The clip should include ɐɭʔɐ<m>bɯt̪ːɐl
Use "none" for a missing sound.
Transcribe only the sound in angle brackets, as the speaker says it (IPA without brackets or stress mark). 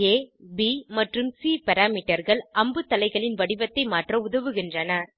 m